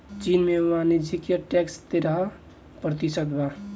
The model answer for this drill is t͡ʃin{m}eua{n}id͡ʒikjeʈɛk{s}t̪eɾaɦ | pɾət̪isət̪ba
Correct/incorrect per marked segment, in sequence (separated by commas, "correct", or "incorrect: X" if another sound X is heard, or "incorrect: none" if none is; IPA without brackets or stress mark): correct, correct, correct